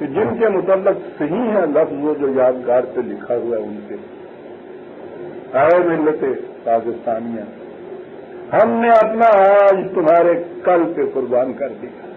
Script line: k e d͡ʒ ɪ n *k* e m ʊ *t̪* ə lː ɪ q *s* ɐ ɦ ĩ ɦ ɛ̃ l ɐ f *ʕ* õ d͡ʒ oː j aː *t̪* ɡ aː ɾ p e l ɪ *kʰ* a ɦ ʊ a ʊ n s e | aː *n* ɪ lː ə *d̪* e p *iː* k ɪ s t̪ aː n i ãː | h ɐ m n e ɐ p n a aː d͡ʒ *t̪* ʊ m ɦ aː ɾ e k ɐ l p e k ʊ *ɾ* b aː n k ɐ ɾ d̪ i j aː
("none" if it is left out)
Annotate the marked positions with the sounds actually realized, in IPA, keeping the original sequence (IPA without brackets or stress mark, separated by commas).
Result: k, t̪, s, z, d̪, kʰ, m, t̪, aː, t̪, ɾ